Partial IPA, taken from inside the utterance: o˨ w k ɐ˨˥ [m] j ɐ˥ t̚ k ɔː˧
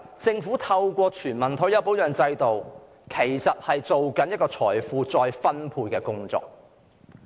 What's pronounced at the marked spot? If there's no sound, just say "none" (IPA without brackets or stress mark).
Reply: n